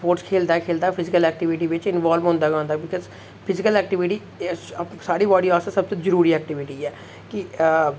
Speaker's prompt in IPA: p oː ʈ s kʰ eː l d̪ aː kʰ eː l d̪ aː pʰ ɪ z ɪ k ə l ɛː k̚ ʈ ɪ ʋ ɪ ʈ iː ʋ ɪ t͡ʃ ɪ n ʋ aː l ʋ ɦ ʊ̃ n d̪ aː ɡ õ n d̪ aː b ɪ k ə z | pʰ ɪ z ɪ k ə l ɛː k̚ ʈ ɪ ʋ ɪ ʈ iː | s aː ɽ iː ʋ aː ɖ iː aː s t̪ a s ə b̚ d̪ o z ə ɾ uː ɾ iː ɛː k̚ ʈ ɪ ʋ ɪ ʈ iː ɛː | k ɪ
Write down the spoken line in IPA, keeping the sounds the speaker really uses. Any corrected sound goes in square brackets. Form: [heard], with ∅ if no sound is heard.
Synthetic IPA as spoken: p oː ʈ s kʰ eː l d̪ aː kʰ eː l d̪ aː pʰ ɪ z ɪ k ə l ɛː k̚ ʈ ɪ ʋ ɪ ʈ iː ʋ ɪ t͡ʃ ɪ n ʋ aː l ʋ ɦ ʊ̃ n d̪ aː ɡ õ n d̪ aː b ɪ k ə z | pʰ ɪ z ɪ k ə l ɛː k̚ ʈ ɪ ʋ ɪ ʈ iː | s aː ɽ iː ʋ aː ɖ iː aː s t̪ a s ə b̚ [t̪] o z ə ɾ uː ɾ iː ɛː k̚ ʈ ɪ ʋ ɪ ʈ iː ɛː | k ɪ